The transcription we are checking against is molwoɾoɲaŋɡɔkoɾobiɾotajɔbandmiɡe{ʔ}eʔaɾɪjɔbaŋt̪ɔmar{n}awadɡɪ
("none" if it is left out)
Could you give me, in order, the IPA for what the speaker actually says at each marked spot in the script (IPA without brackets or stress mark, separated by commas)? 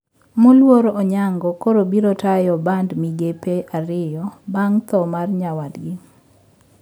p, ɲ